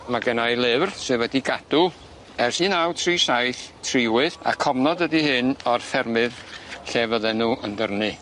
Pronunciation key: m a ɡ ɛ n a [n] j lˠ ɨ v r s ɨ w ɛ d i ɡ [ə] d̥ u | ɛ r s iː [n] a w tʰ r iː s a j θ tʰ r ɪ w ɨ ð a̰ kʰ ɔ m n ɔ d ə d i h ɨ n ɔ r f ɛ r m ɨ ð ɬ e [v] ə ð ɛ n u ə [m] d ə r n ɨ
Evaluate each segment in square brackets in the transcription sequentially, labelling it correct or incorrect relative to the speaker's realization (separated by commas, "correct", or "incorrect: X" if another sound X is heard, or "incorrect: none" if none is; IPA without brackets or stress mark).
incorrect: none, incorrect: a, correct, correct, incorrect: n